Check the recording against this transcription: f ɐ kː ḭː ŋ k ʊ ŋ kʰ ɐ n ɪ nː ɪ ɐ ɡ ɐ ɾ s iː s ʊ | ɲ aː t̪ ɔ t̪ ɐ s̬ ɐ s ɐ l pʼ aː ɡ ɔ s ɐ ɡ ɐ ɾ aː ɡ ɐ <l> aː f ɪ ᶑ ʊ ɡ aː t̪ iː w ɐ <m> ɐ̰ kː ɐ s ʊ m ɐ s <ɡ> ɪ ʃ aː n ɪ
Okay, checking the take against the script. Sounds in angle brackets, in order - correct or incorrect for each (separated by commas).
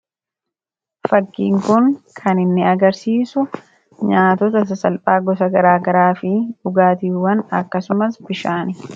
incorrect, incorrect, incorrect